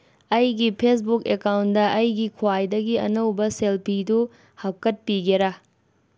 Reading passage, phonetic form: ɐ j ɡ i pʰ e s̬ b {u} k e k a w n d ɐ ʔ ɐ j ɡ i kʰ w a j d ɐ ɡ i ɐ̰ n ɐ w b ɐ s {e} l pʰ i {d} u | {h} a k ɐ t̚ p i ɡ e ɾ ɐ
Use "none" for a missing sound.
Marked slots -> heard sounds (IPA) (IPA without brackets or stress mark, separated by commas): u, e, d, h